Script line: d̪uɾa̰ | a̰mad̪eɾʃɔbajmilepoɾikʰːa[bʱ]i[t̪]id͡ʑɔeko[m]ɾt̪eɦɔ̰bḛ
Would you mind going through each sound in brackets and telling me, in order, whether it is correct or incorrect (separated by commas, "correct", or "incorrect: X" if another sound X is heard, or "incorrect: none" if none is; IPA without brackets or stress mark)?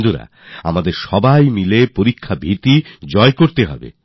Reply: correct, correct, incorrect: none